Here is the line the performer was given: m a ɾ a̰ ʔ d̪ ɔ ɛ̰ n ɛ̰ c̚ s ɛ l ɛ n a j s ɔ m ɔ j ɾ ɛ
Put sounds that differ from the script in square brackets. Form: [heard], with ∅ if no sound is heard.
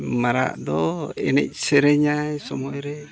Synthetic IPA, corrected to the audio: m a ɾ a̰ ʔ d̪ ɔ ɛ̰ n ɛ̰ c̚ s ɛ [ɾ] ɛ [ɲ] a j s ɔ m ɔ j ɾ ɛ